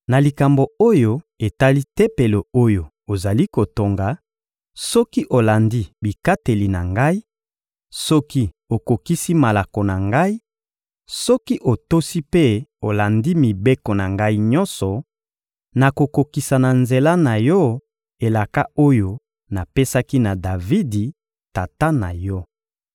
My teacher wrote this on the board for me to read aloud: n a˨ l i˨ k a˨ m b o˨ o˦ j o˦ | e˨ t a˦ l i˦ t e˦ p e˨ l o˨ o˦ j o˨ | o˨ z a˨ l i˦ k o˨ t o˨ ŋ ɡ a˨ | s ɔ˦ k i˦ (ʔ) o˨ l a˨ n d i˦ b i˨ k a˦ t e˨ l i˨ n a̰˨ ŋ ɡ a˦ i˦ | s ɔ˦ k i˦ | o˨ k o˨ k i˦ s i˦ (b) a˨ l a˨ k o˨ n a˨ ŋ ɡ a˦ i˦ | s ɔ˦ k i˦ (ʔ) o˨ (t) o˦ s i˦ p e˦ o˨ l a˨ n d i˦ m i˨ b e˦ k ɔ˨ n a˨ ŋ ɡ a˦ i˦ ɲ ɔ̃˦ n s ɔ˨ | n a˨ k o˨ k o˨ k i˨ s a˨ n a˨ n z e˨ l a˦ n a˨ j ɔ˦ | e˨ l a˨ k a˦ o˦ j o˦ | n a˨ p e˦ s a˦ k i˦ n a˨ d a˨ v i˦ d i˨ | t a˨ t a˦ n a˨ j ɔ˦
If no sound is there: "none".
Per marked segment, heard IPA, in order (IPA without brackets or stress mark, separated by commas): ʔ, m, ʔ, t